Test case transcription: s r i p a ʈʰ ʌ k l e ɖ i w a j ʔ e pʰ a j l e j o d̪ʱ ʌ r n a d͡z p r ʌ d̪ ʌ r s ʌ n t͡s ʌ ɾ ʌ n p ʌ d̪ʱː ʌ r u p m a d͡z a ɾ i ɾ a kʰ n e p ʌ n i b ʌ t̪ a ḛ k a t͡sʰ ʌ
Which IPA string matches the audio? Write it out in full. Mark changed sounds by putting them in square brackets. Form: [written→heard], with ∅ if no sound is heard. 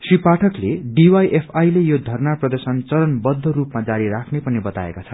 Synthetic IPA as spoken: s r i p a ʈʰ ʌ k l e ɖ i w a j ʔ e pʰ a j l e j o d̪ʱ ʌ r n a [d͡z→∅] p r ʌ d̪ ʌ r s ʌ n t͡s ʌ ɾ ʌ n [p→b] ʌ d̪ʱː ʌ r u p m a d͡z a ɾ i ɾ a kʰ n e p ʌ n i b ʌ t̪ a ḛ k a t͡sʰ ʌ

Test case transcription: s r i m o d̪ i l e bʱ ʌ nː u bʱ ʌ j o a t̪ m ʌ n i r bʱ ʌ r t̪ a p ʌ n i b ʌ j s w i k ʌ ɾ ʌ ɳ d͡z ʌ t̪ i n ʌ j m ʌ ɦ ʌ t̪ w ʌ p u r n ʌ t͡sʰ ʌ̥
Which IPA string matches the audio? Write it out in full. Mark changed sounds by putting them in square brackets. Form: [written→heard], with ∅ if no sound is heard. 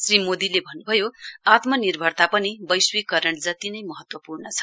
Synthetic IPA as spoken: s r i m o d̪ i l e bʱ ʌ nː u bʱ ʌ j o a t̪ m ʌ n i r bʱ ʌ r t̪ a p ʌ n i b ʌ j s w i k ʌ ɾ ʌ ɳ d͡z ʌ t̪ i n ʌ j m ʌ ɦ ʌ t̪ w ʌ p u r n ʌ t͡sʰ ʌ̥

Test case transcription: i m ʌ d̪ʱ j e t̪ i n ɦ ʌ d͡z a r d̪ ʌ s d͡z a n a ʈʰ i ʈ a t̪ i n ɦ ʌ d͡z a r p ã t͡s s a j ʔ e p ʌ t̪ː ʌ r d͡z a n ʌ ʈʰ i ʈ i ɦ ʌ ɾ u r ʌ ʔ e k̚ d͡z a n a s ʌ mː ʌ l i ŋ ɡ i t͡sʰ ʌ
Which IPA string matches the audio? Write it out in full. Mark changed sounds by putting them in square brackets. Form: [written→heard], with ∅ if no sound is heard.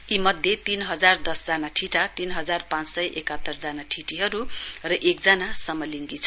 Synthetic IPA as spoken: i m ʌ d̪ʱ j e t̪ i n ɦ ʌ d͡z a r d̪ ʌ s d͡z a n a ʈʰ i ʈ a t̪ i n ɦ ʌ d͡z a r p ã t͡s s [a→ʌ] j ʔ e [p→k] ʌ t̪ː ʌ r d͡z a n [ʌ→a] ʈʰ i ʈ i ɦ ʌ ɾ u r ʌ ʔ e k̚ d͡z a n a s ʌ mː ʌ l i ŋ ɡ i t͡sʰ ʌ

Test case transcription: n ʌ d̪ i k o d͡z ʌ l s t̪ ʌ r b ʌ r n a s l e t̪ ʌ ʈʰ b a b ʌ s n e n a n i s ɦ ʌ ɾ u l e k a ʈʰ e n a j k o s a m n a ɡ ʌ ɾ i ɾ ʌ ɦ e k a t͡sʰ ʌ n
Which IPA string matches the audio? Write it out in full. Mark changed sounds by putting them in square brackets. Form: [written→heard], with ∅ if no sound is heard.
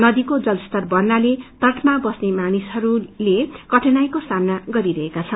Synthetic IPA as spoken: n ʌ d̪ i k o d͡z ʌ l s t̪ ʌ r b ʌ r n a [s→∅] l e t̪ ʌ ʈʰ [b→m] a b ʌ s n e [n→m] a n i s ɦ ʌ ɾ u l e k [a→ʌ] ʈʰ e n a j k o s a m n a ɡ ʌ ɾ i ɾ ʌ ɦ e k a t͡sʰ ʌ n

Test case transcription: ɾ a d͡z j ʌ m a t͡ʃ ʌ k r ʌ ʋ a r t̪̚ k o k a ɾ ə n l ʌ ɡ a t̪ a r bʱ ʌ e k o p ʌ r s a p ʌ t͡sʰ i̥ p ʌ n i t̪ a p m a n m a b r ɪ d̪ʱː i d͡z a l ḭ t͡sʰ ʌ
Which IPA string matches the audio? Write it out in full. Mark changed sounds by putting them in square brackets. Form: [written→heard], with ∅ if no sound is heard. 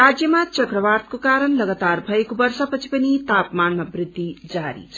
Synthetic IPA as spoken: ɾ a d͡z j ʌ m a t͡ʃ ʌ k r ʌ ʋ a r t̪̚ k o k a ɾ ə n l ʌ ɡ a t̪ a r bʱ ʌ e k o [p→b] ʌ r s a p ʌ t͡sʰ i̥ p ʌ n i t̪ a p m a n m a b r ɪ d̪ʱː i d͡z a [l→ɾ] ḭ t͡sʰ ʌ

